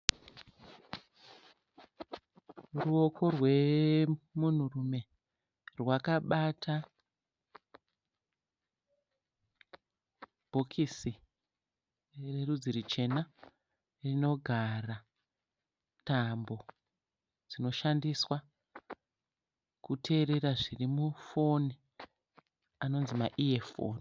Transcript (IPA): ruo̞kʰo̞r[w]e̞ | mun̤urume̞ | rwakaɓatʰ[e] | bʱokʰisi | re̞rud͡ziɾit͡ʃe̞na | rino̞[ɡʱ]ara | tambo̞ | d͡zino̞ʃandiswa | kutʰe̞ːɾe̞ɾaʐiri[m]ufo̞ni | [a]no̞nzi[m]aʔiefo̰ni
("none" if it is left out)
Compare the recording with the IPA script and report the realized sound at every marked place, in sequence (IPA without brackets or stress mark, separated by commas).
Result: w, a, ɡʱ, m, a, m